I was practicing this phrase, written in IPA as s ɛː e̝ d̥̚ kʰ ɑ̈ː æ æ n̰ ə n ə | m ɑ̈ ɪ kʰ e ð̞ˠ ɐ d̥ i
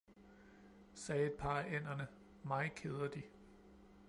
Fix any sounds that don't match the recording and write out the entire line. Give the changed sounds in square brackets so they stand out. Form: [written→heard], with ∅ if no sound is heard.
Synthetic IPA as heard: s ɛː e̝ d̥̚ [kʰ→pʰ] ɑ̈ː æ [æ→e] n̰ [ə→ɐ] n ə | m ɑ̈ ɪ kʰ e ð̞ˠ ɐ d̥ i

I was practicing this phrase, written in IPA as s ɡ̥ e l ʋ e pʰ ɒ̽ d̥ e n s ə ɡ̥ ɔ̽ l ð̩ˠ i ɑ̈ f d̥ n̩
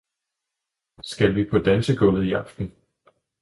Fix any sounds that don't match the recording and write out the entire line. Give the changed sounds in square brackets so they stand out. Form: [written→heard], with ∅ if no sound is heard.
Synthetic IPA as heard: s ɡ̥ [e→æ] l ʋ [e→i] pʰ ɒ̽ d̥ [e→æ] n s ə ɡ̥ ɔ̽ l ð̩ˠ i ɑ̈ f d̥ n̩

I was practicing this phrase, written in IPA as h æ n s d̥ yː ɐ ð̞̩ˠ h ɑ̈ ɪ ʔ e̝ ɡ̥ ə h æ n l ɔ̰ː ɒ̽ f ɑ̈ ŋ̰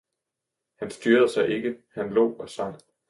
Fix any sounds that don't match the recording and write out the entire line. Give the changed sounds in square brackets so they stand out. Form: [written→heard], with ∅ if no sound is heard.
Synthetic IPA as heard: h æ n s d̥ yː ɐ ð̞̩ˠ [h→s] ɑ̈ ɪ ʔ e̝ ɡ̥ ə h æ n l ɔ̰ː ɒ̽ [f→s] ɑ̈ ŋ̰

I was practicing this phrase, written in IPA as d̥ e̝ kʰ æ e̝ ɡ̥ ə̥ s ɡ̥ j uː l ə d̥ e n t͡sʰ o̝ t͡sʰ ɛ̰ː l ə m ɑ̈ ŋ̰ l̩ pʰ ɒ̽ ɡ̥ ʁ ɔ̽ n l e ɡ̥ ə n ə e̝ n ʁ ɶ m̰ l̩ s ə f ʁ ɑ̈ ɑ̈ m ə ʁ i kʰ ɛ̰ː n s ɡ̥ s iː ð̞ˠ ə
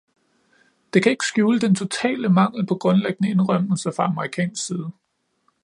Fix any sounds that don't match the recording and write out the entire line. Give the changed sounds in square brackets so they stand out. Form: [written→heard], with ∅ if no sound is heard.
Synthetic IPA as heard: d̥ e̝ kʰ æ e̝ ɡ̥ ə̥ s ɡ̥ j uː l ə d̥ e n t͡sʰ o̝ t͡sʰ ɛ̰ː l ə m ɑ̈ ŋ̰ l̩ pʰ ɒ̽ ɡ̥ ʁ ɔ̽ n l e ɡ̥ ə n ə e̝ n ʁ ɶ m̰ l̩ s ə f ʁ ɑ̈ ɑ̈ m ə ʁ i kʰ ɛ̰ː n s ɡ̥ s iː ð̞ˠ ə

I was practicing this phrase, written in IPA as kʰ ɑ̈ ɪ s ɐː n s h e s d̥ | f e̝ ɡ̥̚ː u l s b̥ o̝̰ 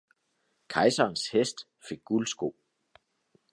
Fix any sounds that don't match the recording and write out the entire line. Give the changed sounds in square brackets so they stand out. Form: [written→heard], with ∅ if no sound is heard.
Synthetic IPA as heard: kʰ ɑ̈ ɪ s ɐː n s h e s d̥ | f e̝ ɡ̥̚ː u l s [b̥→ɡ̥] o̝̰

